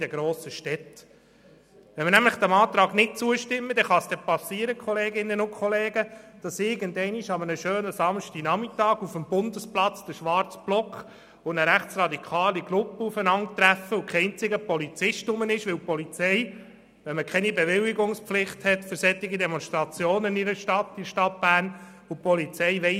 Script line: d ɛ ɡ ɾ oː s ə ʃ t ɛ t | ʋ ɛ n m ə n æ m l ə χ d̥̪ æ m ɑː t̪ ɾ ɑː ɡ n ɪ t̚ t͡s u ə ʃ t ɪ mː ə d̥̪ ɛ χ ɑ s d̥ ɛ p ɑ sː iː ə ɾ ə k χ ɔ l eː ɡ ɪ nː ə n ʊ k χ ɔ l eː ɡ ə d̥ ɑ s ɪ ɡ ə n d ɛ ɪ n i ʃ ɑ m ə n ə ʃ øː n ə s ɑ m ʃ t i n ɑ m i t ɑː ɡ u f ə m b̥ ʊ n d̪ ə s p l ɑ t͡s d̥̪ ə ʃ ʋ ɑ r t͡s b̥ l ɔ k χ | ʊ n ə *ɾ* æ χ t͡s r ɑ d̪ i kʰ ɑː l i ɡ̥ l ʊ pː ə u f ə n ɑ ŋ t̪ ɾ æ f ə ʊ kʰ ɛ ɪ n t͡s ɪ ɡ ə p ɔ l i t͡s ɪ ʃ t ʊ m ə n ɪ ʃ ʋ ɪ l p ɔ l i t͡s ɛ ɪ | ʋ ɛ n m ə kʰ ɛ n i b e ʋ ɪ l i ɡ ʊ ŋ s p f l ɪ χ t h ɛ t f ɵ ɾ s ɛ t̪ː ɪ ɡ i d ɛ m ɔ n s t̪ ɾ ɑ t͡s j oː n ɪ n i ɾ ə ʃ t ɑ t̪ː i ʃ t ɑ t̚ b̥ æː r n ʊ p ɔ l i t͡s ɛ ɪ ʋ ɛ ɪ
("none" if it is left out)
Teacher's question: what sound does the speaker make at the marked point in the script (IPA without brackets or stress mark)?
ɾ